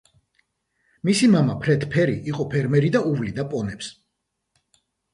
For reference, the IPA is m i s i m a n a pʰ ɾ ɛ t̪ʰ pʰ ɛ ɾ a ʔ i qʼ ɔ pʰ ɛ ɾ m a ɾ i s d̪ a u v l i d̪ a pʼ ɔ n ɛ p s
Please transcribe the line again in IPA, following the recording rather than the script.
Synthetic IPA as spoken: m i s i m a m a pʰ ɾ ɛ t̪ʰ pʰ ɛ ɾ i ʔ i qʼ ɔ pʰ ɛ ɾ m ɛ ɾ i d̪ a u v l i d̪ a pʼ ɔ n ɛ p s

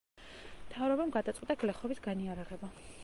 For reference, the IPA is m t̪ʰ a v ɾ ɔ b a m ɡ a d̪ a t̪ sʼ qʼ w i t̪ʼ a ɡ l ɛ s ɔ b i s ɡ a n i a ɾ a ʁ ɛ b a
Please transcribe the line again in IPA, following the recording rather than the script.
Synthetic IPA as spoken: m t̪ʰ a v ɾ ɔ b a m ɡ a d̪ a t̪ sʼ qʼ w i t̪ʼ a ɡ l ɛ χ ɔ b i s ɡ a n i a ɾ a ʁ ɛ b a

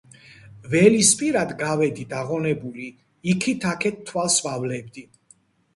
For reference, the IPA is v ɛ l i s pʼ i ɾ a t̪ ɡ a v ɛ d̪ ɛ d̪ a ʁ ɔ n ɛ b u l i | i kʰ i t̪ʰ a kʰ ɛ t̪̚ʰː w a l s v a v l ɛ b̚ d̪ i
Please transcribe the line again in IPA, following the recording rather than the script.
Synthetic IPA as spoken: v ɛ l i s pʼ i ɾ a d̪ ɡ a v ɛ d̪ i d̪ a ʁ ɔ n ɛ b u l i | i kʰ i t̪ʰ a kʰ ɛ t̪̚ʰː w a l s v a v l ɛ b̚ d̪ i

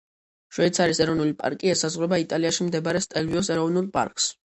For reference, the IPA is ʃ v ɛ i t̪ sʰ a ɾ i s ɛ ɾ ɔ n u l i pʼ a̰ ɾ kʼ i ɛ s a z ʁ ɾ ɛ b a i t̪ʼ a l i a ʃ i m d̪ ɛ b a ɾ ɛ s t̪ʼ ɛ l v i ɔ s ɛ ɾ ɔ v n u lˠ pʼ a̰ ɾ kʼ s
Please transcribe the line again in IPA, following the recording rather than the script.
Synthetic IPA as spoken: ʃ w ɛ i t̪ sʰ a ɾ i s ɛ ɾ ɔ n u l i pʼ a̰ ɾ kʼ i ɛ s a z ʁ ɾ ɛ b a i t̪ʼ a l i a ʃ i m d̪ ɛ b a ɾ ɛ s t̪ʼ ɛ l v i ɔ s ɛ ɾ ɔ v n u lˠ pʼ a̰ ɾ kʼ s

